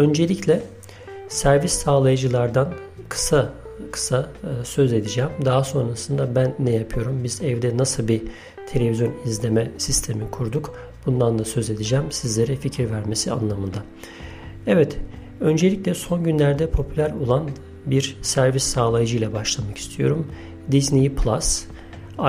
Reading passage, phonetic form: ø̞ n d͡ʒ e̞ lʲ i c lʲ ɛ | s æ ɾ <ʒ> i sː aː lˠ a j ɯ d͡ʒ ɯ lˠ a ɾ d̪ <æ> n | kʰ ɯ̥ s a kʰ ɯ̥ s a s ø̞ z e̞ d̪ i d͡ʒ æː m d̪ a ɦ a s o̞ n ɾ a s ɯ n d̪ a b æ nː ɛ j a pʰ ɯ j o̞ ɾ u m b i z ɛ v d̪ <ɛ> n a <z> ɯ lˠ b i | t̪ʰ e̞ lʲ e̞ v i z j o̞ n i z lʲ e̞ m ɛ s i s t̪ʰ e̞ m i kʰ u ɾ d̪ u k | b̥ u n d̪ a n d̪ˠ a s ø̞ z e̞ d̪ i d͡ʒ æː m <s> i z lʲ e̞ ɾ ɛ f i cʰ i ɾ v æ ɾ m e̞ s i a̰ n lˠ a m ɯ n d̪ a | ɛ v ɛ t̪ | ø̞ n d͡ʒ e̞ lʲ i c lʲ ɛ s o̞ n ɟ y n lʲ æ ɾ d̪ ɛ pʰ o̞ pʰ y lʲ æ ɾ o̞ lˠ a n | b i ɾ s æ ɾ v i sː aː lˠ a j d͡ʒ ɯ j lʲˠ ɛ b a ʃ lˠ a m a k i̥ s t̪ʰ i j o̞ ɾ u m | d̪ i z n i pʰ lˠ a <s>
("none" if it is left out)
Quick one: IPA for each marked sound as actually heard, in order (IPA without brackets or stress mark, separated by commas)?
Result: v, a, ɛ, s, s, s